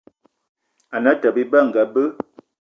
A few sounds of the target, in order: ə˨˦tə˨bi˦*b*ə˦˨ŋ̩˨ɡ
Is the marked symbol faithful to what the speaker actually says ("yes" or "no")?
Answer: yes